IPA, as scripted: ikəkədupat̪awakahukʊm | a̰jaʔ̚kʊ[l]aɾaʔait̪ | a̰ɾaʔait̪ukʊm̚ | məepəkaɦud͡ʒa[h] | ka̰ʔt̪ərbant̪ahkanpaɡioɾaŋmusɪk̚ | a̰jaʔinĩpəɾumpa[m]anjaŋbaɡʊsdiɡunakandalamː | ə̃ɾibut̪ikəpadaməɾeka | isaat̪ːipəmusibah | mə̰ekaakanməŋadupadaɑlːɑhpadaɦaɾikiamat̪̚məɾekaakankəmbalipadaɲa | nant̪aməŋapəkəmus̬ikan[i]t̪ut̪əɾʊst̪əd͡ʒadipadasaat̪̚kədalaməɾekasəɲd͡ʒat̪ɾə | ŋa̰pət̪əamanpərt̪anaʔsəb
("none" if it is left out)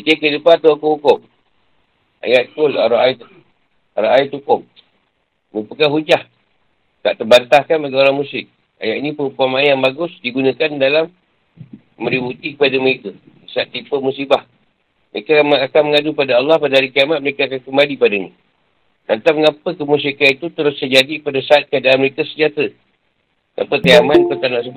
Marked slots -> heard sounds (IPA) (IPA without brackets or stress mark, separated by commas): l, h, m, i